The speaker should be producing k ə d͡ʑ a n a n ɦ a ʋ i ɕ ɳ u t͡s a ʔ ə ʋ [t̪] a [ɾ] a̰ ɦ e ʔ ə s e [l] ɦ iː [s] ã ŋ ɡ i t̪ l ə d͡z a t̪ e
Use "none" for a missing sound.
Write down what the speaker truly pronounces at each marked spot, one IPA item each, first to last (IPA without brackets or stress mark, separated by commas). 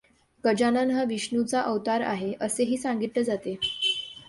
t̪, ɾ, none, s